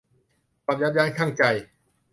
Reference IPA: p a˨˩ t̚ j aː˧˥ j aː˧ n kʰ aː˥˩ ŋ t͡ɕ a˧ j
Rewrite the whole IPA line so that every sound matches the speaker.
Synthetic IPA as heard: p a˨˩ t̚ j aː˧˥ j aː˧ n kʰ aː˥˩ ŋ t͡ɕ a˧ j